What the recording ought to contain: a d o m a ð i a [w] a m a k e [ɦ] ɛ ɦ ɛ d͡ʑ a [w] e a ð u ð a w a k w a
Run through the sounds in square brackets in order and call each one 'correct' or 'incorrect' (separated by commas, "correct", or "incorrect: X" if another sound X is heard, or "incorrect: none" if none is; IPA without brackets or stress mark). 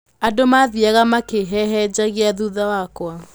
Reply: incorrect: ɣ, correct, incorrect: ɣ